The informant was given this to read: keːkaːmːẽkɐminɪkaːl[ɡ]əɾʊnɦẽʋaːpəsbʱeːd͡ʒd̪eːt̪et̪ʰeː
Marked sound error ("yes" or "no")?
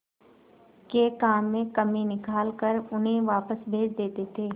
yes